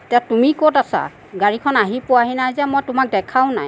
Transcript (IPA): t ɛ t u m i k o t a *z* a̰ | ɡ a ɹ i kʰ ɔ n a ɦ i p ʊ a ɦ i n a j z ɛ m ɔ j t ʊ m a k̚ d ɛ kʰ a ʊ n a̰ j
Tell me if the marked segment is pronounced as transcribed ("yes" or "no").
no